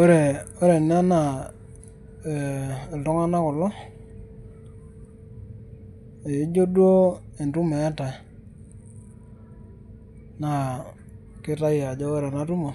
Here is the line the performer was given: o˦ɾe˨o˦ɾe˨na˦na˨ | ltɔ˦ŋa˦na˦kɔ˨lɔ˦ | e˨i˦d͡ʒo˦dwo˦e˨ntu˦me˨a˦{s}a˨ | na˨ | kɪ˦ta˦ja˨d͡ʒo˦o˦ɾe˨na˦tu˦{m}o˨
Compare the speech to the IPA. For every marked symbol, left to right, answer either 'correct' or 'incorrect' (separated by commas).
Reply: incorrect, correct